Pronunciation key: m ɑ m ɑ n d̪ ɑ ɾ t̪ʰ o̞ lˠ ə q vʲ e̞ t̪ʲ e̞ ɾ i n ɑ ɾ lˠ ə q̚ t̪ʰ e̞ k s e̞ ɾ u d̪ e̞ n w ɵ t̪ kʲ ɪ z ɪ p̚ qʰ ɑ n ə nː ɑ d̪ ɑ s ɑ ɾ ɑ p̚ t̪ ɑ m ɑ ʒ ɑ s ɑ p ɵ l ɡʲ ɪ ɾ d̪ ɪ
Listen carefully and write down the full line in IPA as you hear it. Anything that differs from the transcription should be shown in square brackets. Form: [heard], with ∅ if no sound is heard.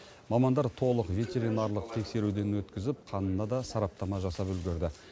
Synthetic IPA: m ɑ m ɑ n d̪ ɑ ɾ t̪ʰ o̞ lˠ ə q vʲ e̞ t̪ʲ e̞ ɾ i n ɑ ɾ lˠ ə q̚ t̪ʰ e̞ k s e̞ ɾ u d̪ e̞ n w ɵ t̪ kʲ ɪ z ɪ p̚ qʰ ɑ n ə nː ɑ d̪ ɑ s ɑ ɾ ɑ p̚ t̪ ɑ m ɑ ʒ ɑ s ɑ p ɵ l ɡʲ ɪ ɾ d̪ ɪ